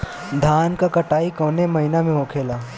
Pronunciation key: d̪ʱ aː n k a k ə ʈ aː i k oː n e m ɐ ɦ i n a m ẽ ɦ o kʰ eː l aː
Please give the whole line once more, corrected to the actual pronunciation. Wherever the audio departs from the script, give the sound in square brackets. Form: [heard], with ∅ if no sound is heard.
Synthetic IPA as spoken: d̪ʱ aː n k a k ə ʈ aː i k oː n e m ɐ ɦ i n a m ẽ ɦ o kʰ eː l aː